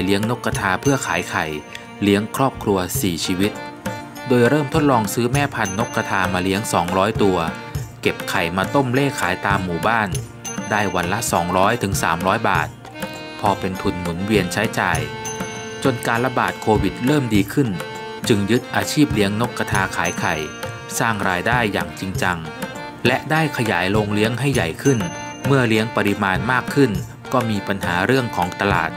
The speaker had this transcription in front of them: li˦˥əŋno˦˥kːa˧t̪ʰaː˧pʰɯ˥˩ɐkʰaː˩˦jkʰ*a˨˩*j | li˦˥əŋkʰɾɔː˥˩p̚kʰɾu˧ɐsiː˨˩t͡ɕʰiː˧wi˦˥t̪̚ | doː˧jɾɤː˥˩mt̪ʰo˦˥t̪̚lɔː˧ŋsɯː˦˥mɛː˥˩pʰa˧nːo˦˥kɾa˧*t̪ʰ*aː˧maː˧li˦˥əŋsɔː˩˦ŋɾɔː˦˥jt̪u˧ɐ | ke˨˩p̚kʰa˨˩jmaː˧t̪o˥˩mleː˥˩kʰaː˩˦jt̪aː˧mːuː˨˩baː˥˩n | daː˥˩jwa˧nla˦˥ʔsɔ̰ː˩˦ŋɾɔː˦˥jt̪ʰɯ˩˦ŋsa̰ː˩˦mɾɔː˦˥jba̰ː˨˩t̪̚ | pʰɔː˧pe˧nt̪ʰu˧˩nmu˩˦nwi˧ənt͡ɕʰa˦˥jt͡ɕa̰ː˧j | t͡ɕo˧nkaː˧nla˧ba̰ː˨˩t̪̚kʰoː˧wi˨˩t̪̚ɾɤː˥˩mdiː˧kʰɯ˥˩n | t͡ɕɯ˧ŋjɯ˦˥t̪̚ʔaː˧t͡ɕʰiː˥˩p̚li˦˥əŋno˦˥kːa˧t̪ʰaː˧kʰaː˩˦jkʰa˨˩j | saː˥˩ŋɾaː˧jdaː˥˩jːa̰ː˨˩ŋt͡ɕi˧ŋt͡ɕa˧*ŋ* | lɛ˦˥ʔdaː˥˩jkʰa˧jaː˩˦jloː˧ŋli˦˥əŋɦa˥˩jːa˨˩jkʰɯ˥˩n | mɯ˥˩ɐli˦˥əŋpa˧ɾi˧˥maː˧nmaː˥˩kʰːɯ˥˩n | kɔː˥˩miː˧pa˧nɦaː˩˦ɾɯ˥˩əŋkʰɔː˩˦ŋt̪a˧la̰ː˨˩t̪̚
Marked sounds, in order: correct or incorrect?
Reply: correct, correct, correct

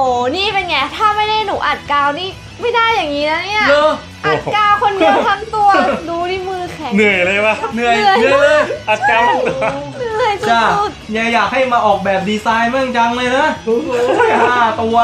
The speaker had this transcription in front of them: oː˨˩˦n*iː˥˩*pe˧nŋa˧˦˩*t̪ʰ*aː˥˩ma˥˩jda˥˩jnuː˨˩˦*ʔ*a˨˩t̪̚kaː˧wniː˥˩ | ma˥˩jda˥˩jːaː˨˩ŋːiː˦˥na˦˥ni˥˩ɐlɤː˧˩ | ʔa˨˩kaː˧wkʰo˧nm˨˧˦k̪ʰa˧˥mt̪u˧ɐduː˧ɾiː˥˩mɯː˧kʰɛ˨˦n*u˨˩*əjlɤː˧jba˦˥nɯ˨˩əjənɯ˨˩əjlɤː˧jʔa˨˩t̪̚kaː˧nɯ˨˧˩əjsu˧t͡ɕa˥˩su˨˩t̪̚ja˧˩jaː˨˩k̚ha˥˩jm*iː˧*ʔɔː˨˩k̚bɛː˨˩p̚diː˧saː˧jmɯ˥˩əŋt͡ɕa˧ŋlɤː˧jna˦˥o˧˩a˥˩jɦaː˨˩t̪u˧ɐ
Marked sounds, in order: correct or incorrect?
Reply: correct, correct, correct, incorrect, incorrect

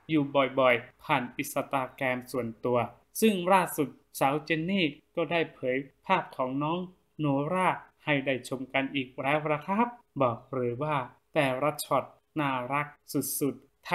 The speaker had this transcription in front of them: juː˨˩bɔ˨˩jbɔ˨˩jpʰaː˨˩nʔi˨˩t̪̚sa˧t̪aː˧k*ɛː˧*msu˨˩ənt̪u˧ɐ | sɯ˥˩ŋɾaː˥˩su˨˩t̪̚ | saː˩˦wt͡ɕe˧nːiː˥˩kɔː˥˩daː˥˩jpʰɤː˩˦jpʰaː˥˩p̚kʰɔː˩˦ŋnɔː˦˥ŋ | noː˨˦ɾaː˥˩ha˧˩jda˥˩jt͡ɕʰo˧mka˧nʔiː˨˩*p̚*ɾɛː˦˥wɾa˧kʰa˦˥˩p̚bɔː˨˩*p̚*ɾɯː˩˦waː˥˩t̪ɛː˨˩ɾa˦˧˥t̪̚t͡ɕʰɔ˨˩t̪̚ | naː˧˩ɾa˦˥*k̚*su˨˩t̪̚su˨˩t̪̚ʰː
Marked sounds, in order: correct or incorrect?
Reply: correct, incorrect, incorrect, correct

